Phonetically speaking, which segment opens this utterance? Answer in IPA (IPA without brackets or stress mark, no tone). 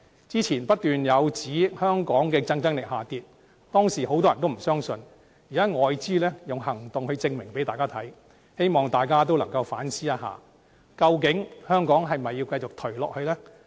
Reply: t͡s